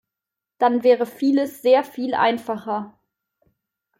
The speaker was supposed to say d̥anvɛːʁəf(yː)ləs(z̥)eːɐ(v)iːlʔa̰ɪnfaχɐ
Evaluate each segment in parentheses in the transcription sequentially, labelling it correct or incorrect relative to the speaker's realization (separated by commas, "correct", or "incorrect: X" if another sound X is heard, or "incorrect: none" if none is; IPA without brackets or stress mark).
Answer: incorrect: iː, correct, incorrect: f